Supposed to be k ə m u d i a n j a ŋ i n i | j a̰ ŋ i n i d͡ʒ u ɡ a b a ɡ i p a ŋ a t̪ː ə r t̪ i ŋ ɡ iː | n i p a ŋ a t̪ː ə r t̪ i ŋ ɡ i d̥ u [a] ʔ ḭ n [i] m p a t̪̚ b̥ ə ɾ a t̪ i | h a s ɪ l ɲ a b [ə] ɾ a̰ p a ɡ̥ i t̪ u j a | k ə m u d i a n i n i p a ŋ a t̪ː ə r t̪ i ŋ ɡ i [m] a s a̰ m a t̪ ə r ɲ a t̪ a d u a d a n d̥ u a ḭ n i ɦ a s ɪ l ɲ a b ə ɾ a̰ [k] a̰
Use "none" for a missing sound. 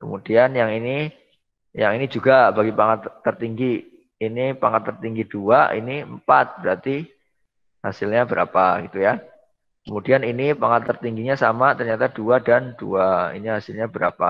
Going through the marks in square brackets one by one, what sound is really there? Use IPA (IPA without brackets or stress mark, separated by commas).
a, i, ə, ɲ, p